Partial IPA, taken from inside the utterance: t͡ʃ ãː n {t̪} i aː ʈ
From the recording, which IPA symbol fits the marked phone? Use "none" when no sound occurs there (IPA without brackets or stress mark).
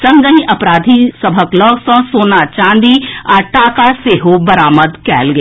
d̪